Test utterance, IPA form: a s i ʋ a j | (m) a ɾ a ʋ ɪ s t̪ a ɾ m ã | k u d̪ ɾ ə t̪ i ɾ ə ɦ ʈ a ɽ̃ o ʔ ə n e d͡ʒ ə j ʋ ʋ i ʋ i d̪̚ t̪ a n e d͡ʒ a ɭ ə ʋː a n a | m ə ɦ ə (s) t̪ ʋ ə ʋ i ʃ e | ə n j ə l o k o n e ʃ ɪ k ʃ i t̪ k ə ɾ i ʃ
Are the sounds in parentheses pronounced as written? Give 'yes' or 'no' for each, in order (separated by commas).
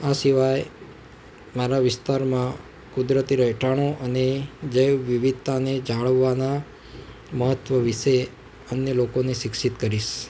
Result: yes, no